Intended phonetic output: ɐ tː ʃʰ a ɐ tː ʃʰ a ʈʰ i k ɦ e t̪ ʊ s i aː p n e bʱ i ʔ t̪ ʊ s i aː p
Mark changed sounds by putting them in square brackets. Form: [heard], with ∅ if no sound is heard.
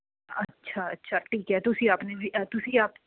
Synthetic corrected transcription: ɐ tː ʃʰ a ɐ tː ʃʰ a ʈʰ [iː] k ɦ [ɛ] t̪ ʊ s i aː p n e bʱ i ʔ t̪ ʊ s i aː p